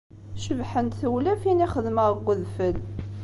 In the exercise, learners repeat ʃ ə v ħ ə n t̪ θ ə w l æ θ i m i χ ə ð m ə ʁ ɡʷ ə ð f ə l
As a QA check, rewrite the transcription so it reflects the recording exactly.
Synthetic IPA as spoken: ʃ ə v ħ ə n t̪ θ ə w l æ f i n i χ ə ð m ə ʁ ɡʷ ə ð f ə l